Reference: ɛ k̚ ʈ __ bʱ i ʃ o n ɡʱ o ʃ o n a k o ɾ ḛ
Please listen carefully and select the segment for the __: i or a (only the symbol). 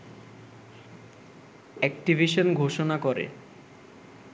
i